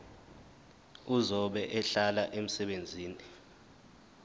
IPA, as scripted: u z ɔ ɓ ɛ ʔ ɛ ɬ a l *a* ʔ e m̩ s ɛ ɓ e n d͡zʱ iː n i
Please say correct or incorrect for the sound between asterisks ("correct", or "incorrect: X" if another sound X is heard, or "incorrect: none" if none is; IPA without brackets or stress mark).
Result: correct